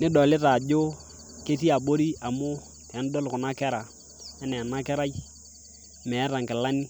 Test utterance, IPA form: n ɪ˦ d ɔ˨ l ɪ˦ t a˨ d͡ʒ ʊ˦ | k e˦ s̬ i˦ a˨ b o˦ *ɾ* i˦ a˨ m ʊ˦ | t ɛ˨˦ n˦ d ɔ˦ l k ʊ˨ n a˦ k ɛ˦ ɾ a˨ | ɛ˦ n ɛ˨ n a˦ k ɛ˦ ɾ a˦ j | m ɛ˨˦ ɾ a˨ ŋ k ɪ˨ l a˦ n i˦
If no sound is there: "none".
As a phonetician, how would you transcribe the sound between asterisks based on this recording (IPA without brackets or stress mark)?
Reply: ɾ